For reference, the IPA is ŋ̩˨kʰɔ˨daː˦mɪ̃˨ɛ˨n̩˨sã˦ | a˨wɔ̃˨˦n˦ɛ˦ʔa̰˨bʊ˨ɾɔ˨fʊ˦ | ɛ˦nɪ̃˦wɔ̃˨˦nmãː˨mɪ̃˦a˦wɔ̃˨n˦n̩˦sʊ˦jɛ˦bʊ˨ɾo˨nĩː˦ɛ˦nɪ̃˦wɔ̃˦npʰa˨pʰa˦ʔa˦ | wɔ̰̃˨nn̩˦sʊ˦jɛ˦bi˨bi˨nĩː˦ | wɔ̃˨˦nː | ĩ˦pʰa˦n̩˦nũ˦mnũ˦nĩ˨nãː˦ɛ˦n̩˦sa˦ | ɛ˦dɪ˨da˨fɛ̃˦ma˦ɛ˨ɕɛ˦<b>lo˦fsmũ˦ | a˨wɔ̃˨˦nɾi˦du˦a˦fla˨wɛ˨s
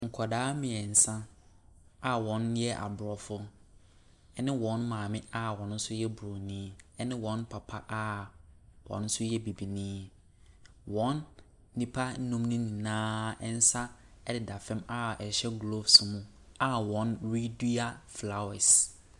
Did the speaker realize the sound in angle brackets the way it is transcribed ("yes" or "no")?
no